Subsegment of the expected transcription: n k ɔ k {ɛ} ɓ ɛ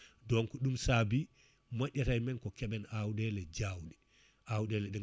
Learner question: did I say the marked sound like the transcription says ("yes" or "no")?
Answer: yes